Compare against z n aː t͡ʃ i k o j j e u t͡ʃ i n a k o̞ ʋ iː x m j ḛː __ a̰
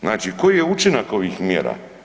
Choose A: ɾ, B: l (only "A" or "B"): A